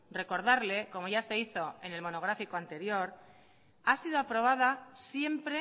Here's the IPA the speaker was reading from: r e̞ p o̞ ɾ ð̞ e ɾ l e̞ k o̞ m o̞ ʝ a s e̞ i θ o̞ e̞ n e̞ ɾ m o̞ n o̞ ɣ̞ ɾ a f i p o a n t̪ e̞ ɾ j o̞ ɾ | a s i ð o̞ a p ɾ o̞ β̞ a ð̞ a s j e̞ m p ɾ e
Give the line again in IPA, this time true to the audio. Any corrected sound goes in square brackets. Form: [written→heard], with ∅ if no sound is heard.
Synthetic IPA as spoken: r e̞ [p→k] o̞ ɾ ð̞ [e→a] ɾ l e̞ k o̞ m o̞ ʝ a s e̞ i θ o̞ e̞ n e̞ [ɾ→l] m o̞ n o̞ ɣ̞ ɾ a f i [p→k] o a n t̪ e̞ ɾ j o̞ ɾ | a s i ð o̞ a p ɾ o̞ β̞ a ð̞ a s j e̞ m p ɾ e

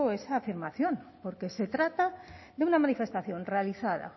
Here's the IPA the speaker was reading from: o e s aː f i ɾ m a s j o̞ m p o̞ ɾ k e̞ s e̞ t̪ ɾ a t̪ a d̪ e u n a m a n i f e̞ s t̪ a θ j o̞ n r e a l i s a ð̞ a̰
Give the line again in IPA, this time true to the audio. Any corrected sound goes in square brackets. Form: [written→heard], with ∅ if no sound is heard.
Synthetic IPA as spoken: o e s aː f i ɾ m a [s→θ] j o̞ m p o̞ ɾ k e̞ s e̞ t̪ ɾ a t̪ a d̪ e u n a m a n i f e̞ s t̪ a θ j o̞ n r e a l i [s→θ] a ð̞ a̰

